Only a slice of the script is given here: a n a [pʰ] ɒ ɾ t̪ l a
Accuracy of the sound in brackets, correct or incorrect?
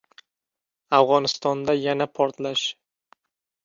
correct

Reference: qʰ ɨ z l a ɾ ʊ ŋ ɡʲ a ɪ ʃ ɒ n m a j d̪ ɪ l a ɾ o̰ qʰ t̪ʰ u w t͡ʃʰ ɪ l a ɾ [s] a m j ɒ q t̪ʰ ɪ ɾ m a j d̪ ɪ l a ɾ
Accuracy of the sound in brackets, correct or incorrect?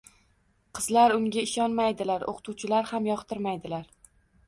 incorrect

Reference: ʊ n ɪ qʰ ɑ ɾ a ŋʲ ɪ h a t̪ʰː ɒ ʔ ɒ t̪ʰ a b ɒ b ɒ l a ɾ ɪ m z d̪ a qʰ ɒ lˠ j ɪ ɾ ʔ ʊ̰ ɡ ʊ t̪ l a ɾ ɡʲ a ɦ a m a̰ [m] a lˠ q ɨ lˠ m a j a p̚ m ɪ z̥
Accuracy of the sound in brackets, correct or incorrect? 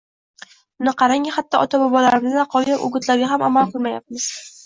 correct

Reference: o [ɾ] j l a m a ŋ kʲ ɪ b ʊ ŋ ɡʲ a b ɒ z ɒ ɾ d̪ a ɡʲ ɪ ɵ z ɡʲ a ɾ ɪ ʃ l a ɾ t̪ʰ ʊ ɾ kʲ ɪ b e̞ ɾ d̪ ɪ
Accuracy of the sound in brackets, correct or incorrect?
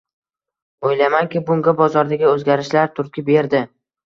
incorrect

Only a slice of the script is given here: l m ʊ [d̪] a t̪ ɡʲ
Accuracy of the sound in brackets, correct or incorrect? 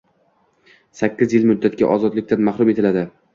incorrect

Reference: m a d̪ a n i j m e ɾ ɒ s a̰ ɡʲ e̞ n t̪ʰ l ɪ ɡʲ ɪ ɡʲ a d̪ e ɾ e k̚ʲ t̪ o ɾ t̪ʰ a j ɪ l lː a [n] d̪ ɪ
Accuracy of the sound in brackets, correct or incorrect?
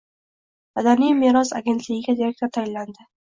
correct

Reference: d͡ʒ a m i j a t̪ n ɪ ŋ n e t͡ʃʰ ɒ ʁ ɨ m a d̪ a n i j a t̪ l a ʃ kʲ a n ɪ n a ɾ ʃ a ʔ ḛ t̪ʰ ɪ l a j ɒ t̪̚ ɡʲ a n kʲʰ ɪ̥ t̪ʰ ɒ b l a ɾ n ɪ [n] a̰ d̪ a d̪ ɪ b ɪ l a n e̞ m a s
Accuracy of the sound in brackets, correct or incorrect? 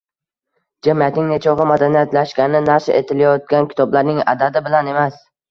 incorrect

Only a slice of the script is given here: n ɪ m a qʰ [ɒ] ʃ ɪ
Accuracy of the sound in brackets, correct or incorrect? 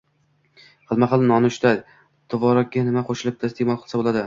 incorrect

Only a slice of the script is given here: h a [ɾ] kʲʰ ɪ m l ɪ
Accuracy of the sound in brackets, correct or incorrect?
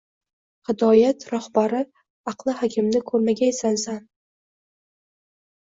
incorrect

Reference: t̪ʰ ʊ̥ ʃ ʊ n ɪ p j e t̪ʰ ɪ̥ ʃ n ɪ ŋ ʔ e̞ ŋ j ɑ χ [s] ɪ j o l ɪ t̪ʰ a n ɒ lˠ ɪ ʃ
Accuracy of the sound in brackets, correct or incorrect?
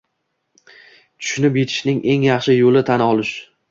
incorrect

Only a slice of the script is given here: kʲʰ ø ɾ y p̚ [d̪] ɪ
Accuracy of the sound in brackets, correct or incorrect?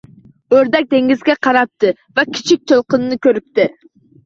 incorrect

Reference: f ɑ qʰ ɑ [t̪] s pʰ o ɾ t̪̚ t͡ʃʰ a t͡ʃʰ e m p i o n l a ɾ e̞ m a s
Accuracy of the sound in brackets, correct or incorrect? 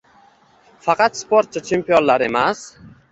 correct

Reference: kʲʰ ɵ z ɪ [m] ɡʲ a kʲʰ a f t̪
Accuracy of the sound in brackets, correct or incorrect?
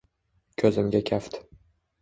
correct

